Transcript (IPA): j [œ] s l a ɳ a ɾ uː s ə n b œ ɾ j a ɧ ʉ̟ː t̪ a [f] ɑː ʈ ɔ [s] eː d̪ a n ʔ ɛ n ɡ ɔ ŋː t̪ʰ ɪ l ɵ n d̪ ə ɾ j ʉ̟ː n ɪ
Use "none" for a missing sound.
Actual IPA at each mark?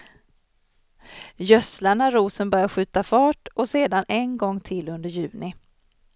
œ, f, s

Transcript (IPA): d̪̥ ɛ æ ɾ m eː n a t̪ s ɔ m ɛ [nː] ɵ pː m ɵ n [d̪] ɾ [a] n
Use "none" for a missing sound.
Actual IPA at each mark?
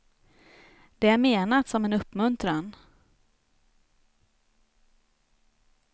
n, t̪, a

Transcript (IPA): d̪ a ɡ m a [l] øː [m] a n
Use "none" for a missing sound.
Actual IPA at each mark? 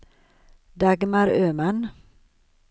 ɾ, m

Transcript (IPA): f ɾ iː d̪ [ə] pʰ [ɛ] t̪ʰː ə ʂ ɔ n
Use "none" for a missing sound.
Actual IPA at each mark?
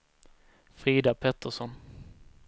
a, ɛ

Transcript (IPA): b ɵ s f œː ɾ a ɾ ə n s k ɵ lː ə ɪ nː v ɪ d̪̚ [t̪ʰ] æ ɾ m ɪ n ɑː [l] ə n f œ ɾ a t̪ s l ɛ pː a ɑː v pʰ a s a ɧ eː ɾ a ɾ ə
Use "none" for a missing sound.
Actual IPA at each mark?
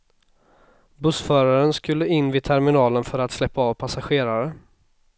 t̪ʰ, l

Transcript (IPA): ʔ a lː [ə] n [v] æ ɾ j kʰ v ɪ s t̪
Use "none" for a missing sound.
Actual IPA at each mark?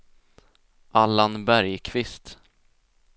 a, b

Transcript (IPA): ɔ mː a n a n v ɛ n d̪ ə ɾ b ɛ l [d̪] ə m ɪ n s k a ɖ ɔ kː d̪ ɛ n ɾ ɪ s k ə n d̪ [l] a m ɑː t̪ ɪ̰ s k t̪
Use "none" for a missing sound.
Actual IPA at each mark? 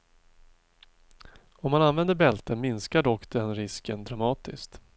t̪, ɾ

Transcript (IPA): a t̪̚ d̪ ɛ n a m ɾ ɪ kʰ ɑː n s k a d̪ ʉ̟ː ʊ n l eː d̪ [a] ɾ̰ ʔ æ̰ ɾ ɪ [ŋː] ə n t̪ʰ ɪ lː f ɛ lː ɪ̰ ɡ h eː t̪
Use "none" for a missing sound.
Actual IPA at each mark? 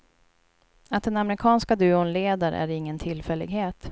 a, ŋː

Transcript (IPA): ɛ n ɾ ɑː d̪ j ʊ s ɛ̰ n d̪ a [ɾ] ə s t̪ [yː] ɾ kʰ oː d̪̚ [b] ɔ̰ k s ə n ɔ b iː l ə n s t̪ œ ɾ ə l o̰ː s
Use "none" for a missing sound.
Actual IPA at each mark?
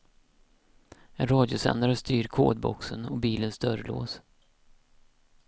ɾ, yː, b

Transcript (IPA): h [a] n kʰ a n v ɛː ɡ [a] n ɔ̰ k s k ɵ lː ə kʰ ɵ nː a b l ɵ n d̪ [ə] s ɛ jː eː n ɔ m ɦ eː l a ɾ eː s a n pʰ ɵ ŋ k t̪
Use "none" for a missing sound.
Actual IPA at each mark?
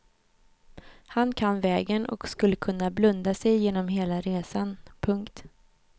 a, ə, a

